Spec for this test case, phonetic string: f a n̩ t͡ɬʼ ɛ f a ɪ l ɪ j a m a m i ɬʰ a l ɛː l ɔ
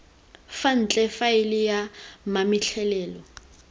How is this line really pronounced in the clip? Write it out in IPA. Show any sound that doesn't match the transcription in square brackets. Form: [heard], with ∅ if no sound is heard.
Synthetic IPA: f a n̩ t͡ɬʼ ɛ f a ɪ l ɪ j a m a m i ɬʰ [ɛ] l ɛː l ɔ

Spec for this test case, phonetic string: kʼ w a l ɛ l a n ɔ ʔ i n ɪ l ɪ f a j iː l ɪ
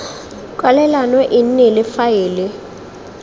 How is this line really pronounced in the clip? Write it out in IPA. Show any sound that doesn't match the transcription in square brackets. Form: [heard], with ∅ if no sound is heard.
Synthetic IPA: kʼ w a l ɛ l a n ɔ ʔ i n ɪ l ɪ f a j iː l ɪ

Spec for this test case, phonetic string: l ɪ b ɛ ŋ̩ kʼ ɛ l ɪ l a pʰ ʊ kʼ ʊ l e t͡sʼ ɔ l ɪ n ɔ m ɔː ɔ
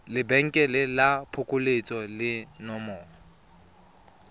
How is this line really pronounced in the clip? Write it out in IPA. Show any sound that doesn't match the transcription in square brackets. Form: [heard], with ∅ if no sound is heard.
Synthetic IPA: l ɪ b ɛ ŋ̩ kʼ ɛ l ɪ l a pʰ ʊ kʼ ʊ l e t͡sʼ ɔ l ɪ n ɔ m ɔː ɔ

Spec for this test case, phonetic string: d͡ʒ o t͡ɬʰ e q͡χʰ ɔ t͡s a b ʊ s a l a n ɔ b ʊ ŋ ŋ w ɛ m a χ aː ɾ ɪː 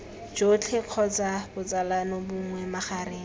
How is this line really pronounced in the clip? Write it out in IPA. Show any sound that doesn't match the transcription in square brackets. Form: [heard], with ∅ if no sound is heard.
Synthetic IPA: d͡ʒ o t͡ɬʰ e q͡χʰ ɔ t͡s a b ʊ [t͡s] a l a n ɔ b ʊ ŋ ŋ w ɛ m a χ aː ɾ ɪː

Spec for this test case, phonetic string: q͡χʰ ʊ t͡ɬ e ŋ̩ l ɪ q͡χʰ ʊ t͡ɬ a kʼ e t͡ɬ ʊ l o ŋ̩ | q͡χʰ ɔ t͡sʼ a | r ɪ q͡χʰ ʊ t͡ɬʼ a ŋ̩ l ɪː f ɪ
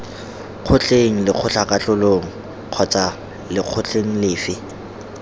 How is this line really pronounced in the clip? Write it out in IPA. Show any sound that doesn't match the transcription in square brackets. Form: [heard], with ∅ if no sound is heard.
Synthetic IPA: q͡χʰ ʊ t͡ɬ e ŋ̩ l ɪ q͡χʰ ʊ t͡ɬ a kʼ [a] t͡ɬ ʊ l o ŋ̩ | q͡χʰ ɔ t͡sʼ a | [l] ɪ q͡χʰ ʊ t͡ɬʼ [e] ŋ̩ l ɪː f ɪ

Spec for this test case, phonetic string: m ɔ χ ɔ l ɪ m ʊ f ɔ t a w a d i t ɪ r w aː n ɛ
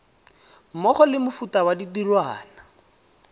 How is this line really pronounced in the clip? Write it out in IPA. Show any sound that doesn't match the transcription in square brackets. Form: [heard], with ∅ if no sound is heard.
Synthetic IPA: m ɔ χ ɔ l ɪ m ʊ f [u] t a w a d i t [i] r w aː n [a]

